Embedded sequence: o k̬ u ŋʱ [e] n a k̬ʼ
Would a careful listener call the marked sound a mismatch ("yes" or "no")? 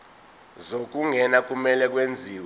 yes